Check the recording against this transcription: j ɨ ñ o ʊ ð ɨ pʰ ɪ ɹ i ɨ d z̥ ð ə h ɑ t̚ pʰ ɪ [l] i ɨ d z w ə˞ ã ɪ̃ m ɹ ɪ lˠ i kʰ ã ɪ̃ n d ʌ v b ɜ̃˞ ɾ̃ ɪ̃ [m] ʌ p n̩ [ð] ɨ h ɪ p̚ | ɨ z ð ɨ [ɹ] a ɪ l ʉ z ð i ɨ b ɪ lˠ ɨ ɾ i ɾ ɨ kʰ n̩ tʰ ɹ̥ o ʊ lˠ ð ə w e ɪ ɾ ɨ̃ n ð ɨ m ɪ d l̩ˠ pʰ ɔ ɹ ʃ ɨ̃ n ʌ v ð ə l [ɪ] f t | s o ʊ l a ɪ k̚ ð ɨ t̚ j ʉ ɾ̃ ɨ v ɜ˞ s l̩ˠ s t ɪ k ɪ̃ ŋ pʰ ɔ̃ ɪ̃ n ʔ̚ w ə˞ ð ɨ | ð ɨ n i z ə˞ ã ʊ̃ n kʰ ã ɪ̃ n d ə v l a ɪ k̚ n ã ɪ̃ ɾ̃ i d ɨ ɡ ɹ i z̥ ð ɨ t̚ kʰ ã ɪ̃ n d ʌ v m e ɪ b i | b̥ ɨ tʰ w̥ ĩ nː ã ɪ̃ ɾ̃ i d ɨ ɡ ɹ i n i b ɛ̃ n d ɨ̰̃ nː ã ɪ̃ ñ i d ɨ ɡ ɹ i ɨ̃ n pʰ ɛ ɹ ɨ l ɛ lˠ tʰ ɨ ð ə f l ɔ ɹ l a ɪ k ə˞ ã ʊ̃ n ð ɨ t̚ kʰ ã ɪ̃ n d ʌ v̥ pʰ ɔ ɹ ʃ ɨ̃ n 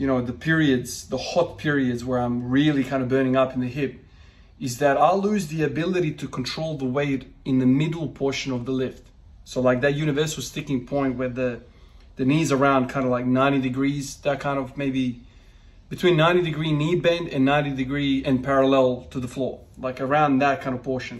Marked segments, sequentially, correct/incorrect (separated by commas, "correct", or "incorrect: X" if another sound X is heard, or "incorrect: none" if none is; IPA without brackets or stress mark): incorrect: ɹ, incorrect: ŋ, correct, incorrect: ɾ, correct